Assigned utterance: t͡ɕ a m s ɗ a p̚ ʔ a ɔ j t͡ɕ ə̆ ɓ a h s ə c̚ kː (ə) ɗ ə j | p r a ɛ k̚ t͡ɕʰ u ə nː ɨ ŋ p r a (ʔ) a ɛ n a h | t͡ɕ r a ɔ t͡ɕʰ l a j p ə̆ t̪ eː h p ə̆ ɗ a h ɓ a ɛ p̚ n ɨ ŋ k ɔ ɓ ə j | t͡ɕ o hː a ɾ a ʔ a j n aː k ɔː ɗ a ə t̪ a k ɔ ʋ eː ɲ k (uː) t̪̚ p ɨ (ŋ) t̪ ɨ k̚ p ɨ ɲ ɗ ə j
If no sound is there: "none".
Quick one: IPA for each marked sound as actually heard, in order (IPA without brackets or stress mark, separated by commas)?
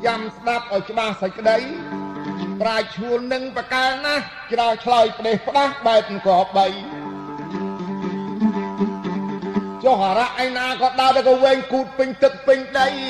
ə, k, uː, ɲ